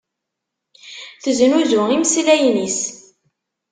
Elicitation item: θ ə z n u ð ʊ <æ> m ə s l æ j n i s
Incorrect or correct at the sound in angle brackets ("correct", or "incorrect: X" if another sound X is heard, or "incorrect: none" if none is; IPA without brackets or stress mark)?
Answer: incorrect: i